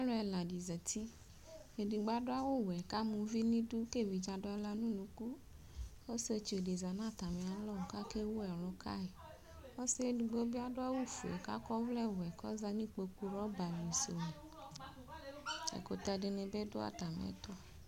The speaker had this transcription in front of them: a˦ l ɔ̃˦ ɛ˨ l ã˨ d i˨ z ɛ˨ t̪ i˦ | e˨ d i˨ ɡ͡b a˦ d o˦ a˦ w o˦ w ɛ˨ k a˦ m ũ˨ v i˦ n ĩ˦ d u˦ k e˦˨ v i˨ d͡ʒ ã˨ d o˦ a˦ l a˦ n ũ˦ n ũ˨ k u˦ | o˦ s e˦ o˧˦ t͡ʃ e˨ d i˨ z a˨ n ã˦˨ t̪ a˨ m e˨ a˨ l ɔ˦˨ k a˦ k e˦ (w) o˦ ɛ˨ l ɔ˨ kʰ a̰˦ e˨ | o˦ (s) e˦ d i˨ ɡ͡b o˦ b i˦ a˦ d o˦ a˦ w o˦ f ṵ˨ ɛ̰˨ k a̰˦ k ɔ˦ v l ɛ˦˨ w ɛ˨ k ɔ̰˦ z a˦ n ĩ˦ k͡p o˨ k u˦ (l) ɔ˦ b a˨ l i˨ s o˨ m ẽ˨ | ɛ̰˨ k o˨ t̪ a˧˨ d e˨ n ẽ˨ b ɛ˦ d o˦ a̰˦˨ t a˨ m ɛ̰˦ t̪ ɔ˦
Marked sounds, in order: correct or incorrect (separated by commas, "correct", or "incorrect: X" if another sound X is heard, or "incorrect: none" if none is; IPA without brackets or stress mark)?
correct, correct, incorrect: ɾ